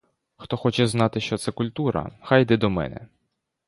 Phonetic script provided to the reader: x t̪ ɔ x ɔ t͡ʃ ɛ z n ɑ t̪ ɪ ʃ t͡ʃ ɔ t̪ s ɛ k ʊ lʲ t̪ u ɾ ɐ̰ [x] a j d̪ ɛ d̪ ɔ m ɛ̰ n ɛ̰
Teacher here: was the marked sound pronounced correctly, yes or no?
yes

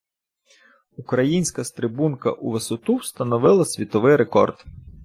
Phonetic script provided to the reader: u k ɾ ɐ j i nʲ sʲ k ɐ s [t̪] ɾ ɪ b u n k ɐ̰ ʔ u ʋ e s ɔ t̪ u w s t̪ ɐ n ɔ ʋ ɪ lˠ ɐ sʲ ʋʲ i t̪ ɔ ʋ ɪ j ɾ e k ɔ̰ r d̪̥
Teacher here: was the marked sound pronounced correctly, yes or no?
yes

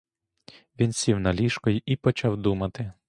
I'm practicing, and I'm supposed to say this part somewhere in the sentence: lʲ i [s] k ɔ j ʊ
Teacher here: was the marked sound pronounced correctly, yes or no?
no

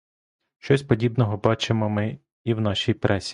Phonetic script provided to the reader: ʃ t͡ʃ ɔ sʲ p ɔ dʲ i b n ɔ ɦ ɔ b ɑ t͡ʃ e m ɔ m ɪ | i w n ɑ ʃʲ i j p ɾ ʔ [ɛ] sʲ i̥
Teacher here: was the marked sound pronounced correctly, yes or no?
yes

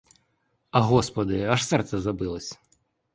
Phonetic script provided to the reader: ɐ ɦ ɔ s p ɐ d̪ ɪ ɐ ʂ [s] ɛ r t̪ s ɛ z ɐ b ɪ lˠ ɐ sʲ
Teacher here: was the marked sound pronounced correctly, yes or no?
yes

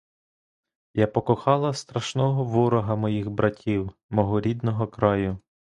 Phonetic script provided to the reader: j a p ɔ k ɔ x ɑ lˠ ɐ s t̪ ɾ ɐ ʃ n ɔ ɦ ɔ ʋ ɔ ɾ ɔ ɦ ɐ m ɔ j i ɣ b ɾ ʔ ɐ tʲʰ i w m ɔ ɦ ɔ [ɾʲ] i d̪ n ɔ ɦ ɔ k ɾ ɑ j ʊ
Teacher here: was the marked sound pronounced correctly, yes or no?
yes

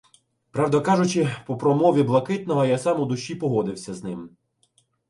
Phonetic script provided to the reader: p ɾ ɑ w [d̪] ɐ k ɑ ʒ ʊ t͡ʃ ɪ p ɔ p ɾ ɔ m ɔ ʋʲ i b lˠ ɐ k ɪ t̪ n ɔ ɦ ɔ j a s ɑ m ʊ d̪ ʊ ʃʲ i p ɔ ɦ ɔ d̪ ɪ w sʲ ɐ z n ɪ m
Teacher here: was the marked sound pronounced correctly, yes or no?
yes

